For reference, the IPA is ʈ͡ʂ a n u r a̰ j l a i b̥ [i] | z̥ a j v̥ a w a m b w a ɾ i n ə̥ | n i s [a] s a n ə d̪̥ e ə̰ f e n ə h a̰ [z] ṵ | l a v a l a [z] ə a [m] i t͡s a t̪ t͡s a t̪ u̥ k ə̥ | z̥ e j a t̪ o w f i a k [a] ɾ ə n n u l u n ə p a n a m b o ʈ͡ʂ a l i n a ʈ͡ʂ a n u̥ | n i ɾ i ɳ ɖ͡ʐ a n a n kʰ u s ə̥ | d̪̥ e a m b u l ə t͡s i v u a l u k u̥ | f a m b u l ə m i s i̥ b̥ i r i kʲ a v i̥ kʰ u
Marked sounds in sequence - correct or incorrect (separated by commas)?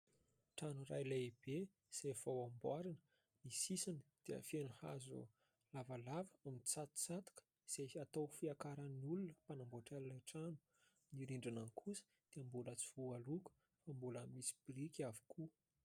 incorrect, incorrect, correct, incorrect, correct, correct